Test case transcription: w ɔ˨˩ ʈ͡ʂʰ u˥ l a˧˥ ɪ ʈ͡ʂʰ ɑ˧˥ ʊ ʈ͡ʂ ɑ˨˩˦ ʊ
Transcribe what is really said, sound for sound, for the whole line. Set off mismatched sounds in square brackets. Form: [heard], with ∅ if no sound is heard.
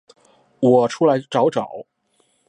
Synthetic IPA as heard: w ɔ˨˩ ʈ͡ʂʰ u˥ l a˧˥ ɪ [ʈ͡ʂ] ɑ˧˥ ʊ ʈ͡ʂ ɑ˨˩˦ ʊ